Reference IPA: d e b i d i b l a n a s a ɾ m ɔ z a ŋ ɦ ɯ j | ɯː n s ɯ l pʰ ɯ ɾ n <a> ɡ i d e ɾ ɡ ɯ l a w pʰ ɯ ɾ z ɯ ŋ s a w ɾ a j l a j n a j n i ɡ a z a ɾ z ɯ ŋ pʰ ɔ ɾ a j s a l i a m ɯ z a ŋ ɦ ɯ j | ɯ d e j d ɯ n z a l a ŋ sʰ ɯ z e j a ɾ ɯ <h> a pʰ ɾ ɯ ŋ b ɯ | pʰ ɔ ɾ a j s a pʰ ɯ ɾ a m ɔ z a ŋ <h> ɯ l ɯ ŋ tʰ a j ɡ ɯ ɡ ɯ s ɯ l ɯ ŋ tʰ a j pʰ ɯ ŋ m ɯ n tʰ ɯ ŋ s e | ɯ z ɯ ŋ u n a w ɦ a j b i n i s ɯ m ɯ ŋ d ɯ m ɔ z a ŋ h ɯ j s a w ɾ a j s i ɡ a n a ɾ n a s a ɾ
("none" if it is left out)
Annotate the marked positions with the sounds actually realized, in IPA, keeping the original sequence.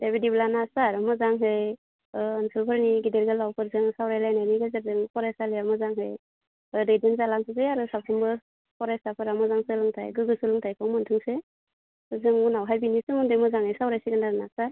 i, s, s

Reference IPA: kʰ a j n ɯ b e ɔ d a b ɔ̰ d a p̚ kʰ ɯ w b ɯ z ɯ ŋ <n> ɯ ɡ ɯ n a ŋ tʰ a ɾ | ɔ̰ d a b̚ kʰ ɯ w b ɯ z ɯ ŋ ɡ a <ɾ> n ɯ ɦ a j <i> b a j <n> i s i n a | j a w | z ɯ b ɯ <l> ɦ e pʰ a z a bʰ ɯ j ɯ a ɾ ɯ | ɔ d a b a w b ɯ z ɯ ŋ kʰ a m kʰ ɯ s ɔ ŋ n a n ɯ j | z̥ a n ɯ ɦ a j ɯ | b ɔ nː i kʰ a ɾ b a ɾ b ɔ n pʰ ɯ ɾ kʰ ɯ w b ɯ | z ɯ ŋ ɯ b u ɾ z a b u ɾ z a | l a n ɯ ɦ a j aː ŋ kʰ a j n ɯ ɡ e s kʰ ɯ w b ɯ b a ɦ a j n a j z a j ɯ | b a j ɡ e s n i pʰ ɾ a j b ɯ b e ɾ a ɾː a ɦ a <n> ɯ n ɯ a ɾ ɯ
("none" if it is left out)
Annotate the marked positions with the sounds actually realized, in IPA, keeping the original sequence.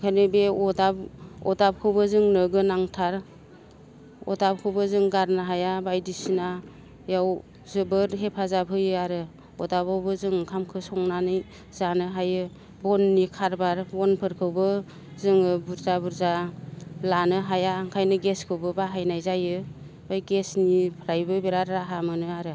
n, ɾ, a, d, ɾ, m

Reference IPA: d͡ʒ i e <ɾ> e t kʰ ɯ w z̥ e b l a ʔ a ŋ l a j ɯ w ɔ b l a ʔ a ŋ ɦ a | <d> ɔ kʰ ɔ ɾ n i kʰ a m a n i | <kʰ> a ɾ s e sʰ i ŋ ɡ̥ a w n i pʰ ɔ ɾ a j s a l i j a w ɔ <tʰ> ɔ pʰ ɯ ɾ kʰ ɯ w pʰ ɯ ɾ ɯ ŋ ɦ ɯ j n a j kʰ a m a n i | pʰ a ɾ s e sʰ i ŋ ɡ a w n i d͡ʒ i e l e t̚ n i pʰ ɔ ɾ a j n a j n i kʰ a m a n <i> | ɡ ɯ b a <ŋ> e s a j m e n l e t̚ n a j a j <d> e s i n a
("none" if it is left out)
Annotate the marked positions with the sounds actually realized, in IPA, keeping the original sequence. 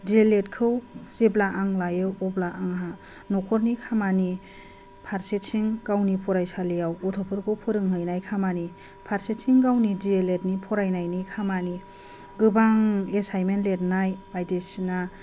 l, n, pʰ, tʰ, i, ŋ, d

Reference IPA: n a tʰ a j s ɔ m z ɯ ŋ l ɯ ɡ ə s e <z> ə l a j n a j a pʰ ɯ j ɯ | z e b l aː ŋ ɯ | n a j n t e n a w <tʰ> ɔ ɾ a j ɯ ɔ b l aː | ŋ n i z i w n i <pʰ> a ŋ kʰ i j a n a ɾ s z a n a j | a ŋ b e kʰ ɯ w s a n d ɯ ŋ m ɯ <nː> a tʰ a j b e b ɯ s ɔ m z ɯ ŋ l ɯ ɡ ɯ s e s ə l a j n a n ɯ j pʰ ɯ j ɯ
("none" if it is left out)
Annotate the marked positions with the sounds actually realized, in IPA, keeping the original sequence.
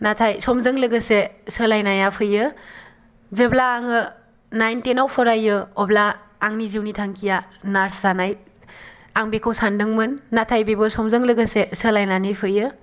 s, pʰ, tʰ, nː

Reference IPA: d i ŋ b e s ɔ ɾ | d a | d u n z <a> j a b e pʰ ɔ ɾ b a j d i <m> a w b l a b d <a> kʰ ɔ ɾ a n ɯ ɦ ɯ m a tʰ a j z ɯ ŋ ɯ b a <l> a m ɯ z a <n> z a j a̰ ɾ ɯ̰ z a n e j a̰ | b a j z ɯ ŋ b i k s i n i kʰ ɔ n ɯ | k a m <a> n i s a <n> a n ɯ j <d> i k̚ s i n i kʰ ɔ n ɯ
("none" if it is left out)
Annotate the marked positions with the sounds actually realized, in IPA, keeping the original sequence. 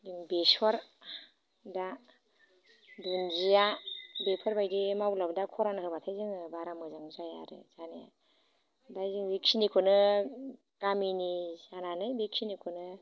i, m, a, ɾ, ŋ, i, n, b

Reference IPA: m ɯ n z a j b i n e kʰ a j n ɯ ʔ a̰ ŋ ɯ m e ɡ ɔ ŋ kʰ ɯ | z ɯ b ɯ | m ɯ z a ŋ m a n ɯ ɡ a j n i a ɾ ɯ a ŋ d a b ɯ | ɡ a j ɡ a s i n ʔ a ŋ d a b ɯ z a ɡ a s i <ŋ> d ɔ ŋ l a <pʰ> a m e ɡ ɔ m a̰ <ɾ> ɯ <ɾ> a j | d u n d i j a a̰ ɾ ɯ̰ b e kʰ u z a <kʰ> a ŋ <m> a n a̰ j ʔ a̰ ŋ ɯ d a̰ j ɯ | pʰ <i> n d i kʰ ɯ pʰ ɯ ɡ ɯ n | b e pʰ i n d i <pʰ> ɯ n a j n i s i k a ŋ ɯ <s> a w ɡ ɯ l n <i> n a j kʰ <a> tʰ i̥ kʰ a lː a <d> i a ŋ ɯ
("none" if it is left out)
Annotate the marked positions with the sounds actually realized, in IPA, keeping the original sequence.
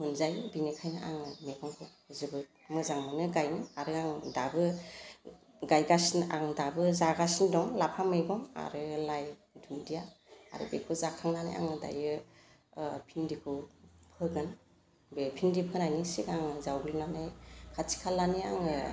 n, pʰ, ɾ, l, kʰ, n, i, pʰ, z, a, a, n

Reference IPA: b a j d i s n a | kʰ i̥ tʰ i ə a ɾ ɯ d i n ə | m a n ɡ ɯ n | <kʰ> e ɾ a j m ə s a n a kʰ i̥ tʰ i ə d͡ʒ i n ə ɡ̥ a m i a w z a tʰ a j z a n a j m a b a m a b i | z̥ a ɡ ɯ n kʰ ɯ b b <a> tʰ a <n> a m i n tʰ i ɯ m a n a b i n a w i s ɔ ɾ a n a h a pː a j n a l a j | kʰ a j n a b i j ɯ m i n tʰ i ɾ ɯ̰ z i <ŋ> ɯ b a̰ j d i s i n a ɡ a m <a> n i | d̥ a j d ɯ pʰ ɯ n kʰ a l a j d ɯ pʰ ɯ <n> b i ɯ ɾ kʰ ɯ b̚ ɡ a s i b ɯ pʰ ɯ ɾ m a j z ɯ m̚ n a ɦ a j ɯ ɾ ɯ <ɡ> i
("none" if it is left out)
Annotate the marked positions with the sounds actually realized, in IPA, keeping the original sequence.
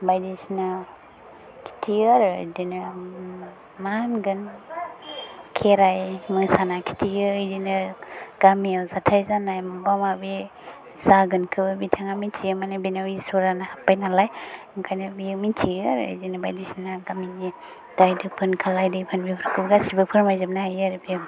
kʰ, i, ŋ, n, i, n, b

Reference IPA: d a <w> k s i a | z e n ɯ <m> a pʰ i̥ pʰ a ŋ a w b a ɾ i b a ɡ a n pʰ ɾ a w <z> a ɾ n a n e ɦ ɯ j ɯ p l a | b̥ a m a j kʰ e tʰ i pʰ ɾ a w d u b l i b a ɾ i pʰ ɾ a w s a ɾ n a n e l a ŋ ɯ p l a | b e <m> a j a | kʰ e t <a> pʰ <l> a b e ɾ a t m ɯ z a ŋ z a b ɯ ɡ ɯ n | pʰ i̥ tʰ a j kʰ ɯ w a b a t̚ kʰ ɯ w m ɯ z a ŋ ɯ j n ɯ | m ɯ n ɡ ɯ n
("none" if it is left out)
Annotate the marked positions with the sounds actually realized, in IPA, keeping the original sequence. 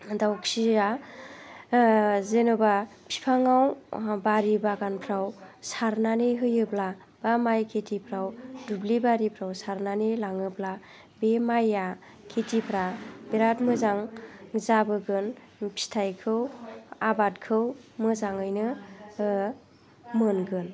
w, b, s, m, i, ɾ

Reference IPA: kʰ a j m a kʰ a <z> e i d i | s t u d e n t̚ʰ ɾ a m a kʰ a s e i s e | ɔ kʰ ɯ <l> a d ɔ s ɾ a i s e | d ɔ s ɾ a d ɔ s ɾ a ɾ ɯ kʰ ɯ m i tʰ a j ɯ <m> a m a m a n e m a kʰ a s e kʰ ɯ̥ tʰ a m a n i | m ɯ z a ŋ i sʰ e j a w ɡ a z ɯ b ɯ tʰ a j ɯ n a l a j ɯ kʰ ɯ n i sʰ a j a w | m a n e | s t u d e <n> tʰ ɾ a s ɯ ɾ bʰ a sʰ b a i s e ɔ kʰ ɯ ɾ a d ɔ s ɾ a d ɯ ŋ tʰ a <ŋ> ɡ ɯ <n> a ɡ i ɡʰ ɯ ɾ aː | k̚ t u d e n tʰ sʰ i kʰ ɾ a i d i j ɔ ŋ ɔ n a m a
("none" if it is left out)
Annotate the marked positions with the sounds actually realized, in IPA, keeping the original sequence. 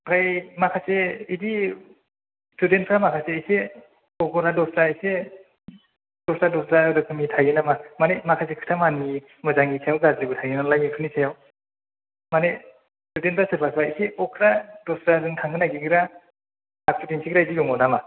s, ɾ, n, n, ŋ, n

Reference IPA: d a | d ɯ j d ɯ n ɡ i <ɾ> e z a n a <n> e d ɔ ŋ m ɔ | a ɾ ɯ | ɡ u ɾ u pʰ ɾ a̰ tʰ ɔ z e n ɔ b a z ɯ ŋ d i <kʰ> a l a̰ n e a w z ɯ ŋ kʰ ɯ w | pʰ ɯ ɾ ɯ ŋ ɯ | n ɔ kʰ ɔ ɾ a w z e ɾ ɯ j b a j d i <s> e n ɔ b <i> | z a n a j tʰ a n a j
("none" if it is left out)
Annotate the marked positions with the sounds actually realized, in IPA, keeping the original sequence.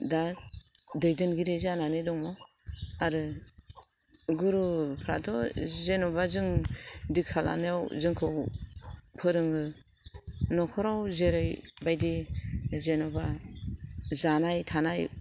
ɾ, n, kʰ, z, a

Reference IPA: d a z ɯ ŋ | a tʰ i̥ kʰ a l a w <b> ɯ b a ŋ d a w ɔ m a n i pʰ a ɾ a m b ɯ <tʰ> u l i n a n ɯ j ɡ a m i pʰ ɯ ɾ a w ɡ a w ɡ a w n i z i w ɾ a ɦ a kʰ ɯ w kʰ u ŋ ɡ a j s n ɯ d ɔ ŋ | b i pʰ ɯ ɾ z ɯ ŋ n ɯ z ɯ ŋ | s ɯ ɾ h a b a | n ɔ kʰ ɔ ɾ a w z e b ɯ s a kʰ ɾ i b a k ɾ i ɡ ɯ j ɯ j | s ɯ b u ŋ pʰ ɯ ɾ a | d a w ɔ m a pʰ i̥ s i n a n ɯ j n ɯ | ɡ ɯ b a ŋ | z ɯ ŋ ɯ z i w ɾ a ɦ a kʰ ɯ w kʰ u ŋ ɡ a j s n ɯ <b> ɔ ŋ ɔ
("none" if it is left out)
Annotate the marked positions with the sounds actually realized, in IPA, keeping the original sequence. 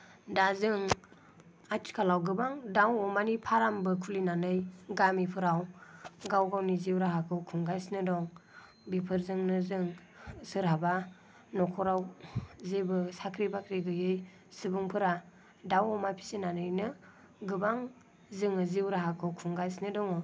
ɡ, kʰ, d

